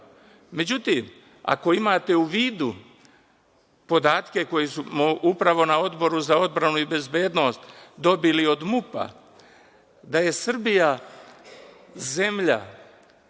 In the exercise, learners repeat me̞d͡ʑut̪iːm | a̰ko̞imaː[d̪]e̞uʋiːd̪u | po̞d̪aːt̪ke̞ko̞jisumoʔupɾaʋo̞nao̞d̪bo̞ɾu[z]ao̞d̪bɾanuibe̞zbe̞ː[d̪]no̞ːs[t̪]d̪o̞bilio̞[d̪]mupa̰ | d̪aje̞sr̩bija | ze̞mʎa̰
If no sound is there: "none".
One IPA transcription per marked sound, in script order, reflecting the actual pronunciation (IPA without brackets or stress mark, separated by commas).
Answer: t̪, z, d̪, t̪, d̪